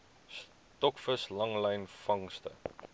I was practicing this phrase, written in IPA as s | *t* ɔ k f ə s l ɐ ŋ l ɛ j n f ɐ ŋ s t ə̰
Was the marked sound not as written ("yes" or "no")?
no